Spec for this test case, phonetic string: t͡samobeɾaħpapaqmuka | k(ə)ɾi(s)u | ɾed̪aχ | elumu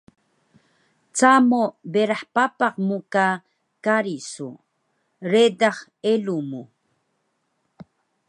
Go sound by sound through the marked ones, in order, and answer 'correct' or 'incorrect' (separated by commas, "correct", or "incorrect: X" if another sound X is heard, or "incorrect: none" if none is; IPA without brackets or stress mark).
incorrect: a, correct